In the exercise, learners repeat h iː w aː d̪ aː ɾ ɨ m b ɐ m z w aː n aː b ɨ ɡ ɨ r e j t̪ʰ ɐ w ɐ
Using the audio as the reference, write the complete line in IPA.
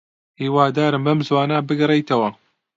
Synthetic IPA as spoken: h iː w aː d̪ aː ɾ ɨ m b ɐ m z w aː n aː b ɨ ɡ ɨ r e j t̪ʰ ɐ w ɐ